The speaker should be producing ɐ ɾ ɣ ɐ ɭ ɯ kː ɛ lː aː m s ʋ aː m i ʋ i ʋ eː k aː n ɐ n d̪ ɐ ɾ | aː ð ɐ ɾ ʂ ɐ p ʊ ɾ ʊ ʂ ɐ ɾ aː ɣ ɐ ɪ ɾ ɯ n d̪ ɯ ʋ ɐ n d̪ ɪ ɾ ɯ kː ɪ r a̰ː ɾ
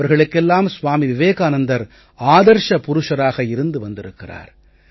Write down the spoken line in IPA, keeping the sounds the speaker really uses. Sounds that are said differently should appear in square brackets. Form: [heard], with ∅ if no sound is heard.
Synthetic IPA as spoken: ɐ ɾ ɣ ɐ ɭ ɯ kː ɛ lː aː m s ʋ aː m i ʋ [ɪ] ʋ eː k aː n ɐ n d̪ ɐ ɾ | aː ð ɐ ɾ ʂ ɐ p ʊ ɾ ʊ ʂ ɐ ɾ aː ɣ ɐ ɪ ɾ ɯ n d̪ ɯ ʋ ɐ n d̪ ɪ ɾ ɯ kː ɪ r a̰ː ɾ